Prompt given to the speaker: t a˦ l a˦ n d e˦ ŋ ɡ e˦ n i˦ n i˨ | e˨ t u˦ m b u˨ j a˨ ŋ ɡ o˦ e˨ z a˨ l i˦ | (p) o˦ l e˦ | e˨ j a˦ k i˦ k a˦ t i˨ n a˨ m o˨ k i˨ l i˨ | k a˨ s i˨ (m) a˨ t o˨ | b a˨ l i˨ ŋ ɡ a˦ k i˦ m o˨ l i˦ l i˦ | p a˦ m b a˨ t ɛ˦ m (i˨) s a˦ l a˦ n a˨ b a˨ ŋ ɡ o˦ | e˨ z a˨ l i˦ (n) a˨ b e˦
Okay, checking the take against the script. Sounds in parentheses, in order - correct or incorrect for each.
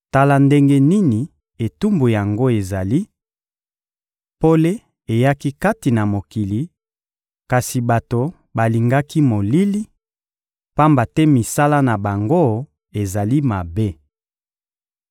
correct, incorrect: b, correct, incorrect: m

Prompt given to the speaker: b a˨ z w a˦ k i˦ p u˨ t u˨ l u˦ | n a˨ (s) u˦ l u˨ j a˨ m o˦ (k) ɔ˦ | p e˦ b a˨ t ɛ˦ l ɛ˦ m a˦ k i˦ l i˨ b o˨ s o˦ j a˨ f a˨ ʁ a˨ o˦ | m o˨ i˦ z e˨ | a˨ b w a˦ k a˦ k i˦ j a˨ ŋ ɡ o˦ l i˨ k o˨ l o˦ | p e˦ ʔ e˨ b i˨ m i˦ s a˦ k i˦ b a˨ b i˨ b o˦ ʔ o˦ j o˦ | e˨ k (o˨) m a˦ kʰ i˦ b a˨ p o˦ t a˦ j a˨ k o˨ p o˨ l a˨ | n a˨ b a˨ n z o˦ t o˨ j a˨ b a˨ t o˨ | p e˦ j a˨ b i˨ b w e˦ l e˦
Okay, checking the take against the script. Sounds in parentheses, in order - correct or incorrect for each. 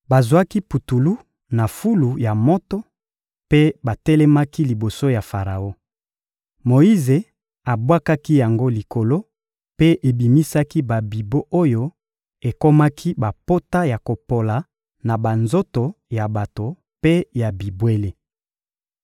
incorrect: f, incorrect: t, incorrect: o˦

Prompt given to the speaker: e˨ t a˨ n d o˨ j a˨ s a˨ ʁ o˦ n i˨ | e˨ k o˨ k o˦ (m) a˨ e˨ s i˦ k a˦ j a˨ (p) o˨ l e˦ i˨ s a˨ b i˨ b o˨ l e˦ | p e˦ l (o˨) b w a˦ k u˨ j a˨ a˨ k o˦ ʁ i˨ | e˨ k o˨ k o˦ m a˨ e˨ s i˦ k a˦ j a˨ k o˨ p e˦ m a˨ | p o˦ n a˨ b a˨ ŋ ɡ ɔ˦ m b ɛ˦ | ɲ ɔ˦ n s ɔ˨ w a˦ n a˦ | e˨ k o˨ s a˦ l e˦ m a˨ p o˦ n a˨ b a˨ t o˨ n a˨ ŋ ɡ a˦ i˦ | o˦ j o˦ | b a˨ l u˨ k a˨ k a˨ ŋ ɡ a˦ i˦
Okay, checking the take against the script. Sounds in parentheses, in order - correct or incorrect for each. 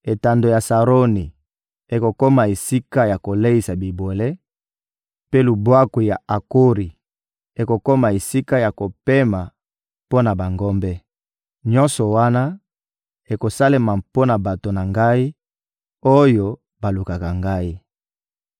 correct, incorrect: k, incorrect: u˨

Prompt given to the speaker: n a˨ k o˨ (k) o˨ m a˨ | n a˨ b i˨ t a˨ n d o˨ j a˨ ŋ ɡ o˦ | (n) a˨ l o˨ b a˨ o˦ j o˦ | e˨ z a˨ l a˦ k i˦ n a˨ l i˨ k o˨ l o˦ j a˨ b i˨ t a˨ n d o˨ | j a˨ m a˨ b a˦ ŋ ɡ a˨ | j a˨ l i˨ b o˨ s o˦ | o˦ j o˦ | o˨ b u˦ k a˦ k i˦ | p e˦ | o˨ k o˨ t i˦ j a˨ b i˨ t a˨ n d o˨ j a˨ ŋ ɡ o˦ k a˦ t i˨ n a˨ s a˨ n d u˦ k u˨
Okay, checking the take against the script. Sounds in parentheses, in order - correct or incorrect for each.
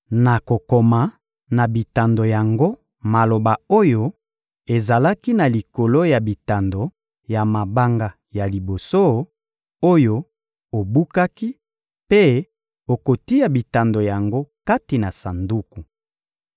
correct, incorrect: m

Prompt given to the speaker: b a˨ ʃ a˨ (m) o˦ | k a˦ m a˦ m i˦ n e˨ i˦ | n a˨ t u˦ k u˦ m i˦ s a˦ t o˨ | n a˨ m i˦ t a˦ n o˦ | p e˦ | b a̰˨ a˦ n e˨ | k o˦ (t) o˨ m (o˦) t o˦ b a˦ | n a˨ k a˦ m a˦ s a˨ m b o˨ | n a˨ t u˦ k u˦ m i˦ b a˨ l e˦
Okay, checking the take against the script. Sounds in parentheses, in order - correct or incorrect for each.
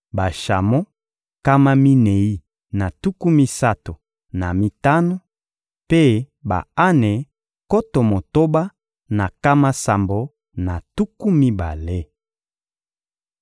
correct, correct, incorrect: o˨

